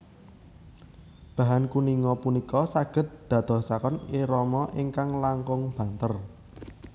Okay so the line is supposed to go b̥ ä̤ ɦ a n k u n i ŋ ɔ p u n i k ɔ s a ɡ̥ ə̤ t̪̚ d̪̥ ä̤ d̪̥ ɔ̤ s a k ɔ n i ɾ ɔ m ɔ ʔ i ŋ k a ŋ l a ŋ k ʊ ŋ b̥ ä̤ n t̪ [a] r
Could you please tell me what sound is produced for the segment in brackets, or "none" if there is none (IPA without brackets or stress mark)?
ə